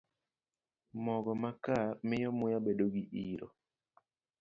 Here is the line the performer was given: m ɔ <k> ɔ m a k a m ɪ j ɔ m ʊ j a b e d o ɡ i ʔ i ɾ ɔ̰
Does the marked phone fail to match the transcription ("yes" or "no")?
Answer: yes